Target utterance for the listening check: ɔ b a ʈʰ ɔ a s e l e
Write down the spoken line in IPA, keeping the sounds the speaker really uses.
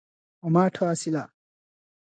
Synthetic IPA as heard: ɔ m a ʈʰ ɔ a s i l a